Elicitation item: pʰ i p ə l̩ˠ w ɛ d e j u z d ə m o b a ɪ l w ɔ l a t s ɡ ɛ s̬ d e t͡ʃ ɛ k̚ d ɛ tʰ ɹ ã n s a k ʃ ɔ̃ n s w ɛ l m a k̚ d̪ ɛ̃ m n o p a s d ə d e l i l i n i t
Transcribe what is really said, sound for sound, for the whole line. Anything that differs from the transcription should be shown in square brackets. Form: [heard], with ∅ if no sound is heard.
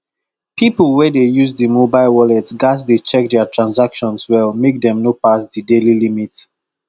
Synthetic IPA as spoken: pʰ i p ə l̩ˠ w ɛ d e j u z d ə m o b a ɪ l w ɔ l [ɛ] t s ɡ [a] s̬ d e t͡ʃ ɛ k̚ d ɛ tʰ ɹ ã n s a k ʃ ɔ̃ n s w ɛ l m [e] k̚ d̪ ɛ̃ m n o p a s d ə d e l i l i [m] i t

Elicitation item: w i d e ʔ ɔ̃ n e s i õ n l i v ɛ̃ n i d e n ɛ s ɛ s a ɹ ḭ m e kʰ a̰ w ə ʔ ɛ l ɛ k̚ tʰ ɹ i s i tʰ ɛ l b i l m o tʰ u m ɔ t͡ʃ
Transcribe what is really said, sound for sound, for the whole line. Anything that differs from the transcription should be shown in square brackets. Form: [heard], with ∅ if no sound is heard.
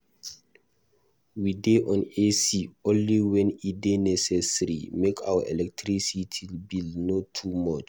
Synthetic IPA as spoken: w i d e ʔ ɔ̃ n e s i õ n l i [w] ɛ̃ n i d e n ɛ s ɛ s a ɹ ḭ m e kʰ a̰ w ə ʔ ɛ l ɛ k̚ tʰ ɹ i s i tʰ [i] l b i l [n] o tʰ u m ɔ t͡ʃ

